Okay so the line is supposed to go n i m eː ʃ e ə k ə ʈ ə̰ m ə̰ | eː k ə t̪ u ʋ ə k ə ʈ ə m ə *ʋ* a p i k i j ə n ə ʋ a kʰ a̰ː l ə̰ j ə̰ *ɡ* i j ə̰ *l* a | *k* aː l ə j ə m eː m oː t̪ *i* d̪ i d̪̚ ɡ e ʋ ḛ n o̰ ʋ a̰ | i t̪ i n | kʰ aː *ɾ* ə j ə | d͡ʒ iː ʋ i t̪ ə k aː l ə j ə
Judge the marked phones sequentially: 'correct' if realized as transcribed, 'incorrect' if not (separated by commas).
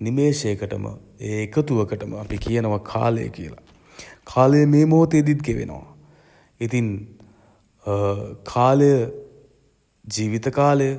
incorrect, incorrect, correct, incorrect, incorrect, incorrect